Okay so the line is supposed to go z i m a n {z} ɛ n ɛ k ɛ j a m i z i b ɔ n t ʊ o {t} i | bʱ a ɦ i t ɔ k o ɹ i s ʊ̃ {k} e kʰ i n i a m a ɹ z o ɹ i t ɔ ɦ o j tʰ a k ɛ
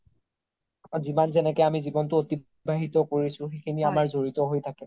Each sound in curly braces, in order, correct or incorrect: correct, correct, incorrect

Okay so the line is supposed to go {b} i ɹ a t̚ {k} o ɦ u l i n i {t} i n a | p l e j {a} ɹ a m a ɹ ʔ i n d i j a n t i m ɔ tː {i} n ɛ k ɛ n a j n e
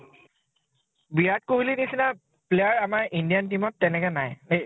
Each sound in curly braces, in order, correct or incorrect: correct, correct, incorrect, correct, incorrect

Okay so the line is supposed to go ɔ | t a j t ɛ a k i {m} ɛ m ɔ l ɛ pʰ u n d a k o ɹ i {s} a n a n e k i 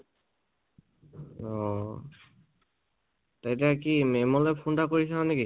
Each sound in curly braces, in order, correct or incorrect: correct, correct

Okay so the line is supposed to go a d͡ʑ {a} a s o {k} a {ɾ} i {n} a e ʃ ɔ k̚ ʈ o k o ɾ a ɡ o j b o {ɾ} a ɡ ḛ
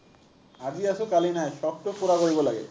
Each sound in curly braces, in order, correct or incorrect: incorrect, correct, incorrect, correct, incorrect

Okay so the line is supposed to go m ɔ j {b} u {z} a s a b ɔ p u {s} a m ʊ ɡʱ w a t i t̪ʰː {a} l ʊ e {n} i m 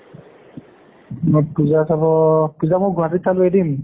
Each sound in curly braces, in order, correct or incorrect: incorrect, correct, incorrect, correct, incorrect

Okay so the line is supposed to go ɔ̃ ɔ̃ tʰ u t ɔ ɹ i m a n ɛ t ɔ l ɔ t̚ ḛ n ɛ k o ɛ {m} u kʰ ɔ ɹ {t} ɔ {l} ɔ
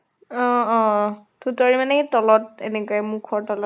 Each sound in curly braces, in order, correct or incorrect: correct, correct, correct

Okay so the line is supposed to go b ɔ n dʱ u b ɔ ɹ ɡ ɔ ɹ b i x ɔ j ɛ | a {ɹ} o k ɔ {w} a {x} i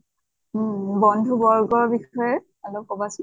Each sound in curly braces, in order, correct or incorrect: incorrect, incorrect, incorrect

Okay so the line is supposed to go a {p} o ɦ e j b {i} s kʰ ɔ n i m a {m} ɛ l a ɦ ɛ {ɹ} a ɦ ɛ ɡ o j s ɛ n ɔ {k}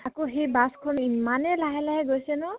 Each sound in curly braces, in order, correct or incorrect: incorrect, incorrect, incorrect, incorrect, incorrect

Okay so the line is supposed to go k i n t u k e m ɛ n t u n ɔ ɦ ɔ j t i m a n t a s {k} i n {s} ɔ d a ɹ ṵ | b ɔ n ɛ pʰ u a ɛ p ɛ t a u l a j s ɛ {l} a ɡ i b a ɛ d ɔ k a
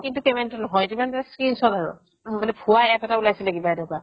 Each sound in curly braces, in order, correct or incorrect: correct, correct, correct

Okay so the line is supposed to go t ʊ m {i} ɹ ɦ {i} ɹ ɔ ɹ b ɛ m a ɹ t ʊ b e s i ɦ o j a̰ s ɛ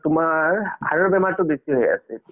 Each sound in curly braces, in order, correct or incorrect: incorrect, incorrect

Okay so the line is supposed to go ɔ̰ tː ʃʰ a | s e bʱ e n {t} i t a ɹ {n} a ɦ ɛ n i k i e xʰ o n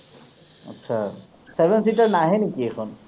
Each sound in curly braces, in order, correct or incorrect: incorrect, correct

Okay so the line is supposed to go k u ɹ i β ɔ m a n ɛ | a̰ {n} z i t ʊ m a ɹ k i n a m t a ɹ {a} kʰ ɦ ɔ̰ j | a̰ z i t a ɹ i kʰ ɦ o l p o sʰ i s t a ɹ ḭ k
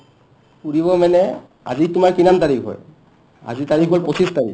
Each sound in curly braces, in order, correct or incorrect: incorrect, incorrect

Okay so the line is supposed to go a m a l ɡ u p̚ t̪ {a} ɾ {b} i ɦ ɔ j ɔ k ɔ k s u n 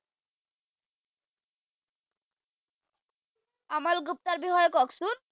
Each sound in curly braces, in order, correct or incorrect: correct, correct

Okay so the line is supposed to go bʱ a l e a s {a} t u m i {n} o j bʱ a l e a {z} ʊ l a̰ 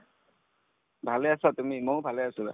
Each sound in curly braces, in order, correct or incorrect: correct, incorrect, incorrect

